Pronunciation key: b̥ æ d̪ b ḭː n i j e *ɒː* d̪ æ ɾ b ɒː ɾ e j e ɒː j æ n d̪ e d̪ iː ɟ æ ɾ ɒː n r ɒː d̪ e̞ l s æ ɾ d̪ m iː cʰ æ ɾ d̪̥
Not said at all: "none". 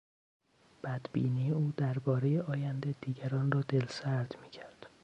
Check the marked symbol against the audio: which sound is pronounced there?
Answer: uː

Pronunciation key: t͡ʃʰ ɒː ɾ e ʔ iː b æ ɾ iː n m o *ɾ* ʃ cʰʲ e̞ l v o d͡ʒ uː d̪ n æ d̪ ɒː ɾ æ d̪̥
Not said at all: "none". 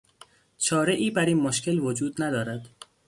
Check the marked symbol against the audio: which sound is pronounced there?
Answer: none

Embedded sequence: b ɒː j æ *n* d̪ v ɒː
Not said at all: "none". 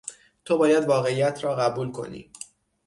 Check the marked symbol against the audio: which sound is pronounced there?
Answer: none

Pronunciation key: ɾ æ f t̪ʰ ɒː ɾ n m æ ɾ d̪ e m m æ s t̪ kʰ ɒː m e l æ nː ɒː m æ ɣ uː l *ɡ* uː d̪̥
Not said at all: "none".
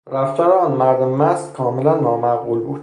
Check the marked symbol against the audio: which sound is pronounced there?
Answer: b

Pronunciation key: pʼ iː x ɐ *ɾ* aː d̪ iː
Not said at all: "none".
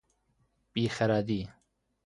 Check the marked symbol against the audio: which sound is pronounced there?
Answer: ɾ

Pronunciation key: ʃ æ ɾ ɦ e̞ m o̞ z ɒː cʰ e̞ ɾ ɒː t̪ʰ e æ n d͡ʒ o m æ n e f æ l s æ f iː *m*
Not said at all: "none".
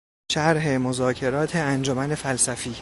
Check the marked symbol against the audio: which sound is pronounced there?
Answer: none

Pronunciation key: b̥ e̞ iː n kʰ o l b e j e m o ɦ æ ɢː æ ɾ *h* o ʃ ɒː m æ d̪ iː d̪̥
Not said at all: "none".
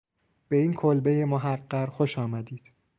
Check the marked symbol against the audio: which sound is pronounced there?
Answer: x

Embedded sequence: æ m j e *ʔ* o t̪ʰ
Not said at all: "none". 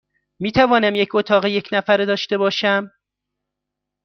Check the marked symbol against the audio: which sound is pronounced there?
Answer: c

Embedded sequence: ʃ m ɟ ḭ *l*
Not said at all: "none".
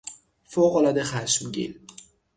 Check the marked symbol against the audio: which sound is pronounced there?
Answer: l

